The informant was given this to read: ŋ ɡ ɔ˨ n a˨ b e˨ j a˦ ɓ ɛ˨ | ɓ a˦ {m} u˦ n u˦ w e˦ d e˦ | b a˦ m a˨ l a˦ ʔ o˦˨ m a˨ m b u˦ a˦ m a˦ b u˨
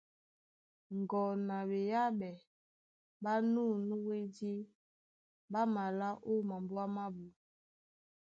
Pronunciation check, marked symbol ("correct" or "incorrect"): incorrect